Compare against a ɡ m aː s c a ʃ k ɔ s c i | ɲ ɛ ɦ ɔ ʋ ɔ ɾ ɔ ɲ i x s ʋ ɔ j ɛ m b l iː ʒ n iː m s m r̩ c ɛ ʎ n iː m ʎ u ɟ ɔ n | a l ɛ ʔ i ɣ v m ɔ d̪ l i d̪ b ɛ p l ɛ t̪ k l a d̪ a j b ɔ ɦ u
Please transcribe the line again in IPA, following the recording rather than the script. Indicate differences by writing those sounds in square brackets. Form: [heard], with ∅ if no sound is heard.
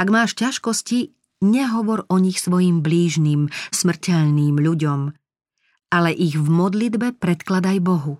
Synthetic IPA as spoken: a ɡ m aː [ʃ] c a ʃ k ɔ s c i | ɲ ɛ ɦ ɔ ʋ ɔ ɾ ɔ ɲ i x s ʋ ɔ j [i] m b l iː ʒ n iː m s m r̩ c ɛ ʎ n iː m ʎ u ɟ ɔ [m] | a l ɛ ʔ i ɣ v m ɔ d̪ l i d̪ b ɛ p [ɾ] ɛ t̪ k l a d̪ a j b ɔ ɦ u